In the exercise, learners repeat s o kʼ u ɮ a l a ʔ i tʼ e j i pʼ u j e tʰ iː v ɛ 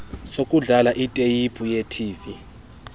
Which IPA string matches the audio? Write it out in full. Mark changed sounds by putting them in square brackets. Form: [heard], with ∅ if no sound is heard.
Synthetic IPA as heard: s o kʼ u ɮ a l a ʔ i tʼ e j i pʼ u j e tʰ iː v [i]